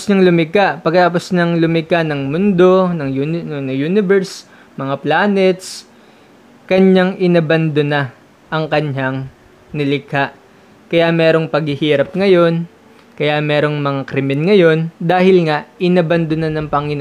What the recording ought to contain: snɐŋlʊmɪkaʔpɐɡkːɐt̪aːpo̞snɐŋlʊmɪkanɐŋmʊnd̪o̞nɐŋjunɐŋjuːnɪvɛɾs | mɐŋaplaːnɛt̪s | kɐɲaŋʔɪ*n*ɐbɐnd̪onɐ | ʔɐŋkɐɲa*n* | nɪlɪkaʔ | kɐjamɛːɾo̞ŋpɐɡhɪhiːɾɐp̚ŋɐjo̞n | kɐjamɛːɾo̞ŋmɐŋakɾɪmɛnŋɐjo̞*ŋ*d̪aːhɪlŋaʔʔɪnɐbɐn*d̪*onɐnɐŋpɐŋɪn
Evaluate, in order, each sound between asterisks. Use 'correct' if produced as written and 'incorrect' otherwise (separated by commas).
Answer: correct, incorrect, incorrect, correct